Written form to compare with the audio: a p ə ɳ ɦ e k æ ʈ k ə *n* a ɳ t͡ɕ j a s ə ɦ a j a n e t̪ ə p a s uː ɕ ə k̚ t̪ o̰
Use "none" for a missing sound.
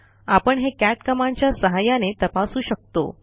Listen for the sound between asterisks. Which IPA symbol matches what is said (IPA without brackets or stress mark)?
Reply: m